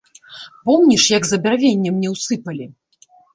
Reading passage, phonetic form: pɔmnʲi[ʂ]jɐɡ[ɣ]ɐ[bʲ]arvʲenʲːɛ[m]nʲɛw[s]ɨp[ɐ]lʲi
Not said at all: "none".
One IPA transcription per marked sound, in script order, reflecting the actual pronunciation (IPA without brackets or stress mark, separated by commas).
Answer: ʂ, z, bʲ, m, s, ɐ